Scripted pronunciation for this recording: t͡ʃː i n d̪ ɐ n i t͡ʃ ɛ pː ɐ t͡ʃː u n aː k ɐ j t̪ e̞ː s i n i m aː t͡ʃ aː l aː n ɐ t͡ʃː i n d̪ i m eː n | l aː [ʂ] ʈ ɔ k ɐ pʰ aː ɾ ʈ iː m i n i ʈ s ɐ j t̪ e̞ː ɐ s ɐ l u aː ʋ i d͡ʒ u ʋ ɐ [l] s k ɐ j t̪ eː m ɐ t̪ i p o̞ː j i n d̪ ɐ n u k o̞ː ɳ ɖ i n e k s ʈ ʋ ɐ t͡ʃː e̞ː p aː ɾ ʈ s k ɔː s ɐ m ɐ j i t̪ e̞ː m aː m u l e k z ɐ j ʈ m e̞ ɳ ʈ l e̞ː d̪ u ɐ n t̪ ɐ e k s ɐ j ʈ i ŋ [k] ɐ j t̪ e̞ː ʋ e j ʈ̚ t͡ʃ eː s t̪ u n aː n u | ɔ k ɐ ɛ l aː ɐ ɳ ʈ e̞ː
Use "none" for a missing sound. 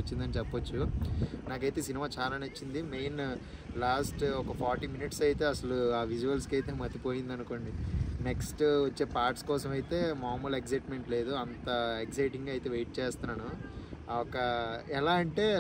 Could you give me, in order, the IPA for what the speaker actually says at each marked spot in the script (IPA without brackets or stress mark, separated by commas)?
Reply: s, l, ɡ